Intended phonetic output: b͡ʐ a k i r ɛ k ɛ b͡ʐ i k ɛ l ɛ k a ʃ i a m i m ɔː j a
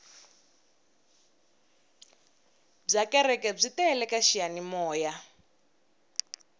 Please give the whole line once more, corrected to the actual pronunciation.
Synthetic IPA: b͡ʐ a k ɛ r ɛ k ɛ b͡ʐ i t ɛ l ɛ k a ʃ i a n i m ɔː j a